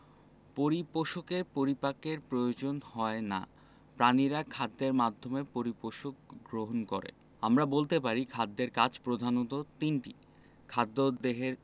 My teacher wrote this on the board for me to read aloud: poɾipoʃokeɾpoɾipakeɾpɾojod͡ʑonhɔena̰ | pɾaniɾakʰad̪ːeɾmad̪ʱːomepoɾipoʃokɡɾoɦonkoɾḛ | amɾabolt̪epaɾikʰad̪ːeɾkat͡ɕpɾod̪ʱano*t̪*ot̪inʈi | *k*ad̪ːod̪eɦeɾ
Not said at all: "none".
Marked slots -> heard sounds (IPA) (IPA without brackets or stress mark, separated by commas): t̪, kʰ